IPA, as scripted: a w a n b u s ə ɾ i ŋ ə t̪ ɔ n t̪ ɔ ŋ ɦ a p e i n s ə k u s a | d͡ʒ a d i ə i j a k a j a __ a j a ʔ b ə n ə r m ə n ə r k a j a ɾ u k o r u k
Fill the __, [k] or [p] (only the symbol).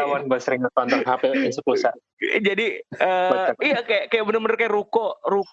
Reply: k